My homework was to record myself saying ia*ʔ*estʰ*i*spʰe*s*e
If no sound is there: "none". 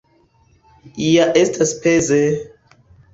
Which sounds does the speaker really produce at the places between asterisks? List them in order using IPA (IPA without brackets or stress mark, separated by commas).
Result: ʔ, a, z